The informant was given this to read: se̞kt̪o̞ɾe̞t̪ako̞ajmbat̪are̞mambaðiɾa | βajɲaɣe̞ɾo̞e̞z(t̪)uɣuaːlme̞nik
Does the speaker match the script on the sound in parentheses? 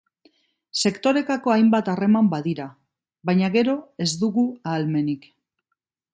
no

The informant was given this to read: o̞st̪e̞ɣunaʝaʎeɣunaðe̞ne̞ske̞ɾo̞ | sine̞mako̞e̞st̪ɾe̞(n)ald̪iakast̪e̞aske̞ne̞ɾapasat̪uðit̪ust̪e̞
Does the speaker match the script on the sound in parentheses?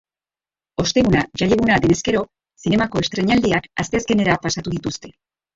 no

